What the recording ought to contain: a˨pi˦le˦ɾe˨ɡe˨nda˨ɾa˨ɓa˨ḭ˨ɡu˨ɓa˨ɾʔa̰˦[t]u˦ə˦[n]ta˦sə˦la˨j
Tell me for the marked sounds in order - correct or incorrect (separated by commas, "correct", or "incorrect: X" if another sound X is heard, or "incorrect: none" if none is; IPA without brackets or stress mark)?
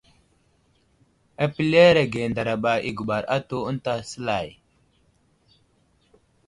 correct, correct